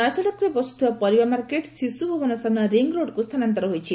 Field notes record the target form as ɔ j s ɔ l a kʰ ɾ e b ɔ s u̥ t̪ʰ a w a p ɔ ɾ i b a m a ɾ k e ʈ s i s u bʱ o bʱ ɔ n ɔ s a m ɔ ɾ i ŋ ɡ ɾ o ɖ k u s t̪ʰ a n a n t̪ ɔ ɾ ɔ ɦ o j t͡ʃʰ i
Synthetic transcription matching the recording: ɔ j s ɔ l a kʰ ɾ e b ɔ s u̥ t̪ʰ i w a p ɔ ɾ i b a m a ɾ k e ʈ s i s u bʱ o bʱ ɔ n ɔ s a n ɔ ɾ i ŋ ɡ ɾ o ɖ k u s t̪ʰ a n a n t̪ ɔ ɾ ɔ ɦ o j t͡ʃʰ i